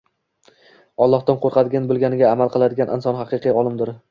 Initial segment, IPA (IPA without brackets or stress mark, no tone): ɒ